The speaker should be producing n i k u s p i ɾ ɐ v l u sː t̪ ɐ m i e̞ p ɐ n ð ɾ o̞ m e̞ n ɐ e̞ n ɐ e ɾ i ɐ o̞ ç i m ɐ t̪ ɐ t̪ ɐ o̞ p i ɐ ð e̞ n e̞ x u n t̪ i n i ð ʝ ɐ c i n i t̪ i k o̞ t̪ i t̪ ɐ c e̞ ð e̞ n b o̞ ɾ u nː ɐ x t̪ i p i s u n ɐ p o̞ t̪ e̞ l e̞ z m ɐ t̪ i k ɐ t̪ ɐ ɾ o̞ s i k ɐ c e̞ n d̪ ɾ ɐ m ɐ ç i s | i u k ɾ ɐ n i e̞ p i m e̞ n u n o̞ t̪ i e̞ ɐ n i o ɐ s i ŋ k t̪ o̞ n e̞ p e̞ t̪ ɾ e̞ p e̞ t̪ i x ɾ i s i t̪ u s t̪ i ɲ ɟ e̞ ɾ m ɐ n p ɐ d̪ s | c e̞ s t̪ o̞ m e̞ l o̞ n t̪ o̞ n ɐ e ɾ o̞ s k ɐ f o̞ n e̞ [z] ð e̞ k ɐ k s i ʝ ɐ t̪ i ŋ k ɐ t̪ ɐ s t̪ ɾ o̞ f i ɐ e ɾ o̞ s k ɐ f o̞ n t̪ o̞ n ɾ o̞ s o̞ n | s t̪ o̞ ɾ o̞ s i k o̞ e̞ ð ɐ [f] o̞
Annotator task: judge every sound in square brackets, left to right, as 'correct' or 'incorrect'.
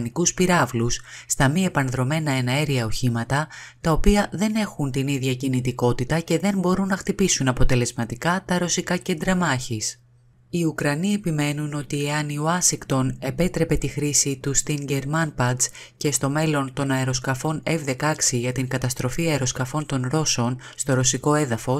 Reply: incorrect: v, correct

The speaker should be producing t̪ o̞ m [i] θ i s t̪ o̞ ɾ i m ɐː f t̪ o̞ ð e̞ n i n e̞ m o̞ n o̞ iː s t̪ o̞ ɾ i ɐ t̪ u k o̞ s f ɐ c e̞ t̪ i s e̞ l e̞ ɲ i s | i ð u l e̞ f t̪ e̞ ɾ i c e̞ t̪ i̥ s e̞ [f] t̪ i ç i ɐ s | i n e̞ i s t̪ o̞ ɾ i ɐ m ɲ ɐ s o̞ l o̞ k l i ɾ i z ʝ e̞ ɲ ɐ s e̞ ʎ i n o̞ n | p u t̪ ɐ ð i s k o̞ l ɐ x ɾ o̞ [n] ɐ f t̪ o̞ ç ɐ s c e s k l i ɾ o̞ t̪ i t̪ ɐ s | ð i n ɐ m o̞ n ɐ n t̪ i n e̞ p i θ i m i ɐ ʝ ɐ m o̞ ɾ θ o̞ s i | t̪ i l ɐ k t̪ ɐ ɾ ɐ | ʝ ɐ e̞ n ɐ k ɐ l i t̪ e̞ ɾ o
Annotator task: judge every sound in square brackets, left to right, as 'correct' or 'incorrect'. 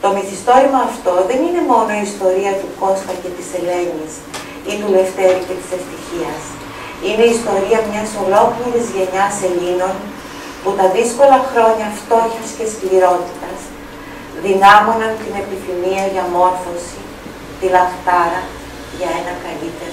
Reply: correct, correct, incorrect: ɲ

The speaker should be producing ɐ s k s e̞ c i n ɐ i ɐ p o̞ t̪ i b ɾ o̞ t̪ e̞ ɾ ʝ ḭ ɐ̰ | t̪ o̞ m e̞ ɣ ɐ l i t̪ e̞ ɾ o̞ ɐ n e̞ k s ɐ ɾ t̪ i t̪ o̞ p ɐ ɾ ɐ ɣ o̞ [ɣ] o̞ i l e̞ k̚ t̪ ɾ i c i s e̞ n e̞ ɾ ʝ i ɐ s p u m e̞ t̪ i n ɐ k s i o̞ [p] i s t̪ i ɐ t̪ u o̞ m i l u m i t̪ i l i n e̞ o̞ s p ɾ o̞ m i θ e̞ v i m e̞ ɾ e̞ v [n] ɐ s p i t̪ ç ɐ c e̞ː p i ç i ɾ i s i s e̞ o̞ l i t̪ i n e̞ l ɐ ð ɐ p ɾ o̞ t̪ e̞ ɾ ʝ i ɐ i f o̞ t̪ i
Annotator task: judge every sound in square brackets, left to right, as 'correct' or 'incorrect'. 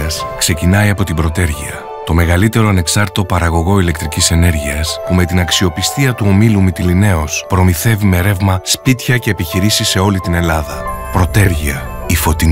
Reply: correct, correct, incorrect: m

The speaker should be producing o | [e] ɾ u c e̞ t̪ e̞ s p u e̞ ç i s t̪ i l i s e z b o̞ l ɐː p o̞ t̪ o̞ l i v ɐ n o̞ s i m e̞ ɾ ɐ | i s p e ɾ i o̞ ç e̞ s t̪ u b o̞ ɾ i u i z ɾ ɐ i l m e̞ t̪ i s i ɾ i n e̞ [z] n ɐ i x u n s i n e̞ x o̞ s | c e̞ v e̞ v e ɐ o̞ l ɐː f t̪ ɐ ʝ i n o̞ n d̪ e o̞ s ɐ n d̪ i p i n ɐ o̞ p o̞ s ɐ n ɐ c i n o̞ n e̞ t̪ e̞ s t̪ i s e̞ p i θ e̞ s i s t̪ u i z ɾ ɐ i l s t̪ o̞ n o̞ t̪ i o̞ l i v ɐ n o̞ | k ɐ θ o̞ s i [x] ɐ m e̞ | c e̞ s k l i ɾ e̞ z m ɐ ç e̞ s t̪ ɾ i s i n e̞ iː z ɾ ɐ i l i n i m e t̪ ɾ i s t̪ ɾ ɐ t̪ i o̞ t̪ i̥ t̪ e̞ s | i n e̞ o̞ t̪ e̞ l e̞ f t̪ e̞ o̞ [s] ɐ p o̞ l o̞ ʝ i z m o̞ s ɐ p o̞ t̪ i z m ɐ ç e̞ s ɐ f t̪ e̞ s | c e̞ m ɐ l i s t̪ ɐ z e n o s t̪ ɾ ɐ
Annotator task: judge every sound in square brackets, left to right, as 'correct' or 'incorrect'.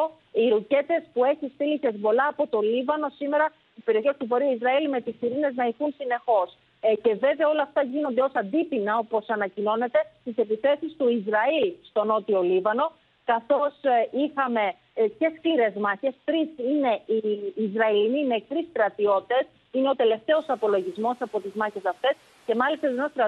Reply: incorrect: i, correct, correct, correct

